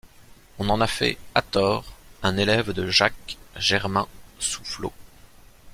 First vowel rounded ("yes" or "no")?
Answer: yes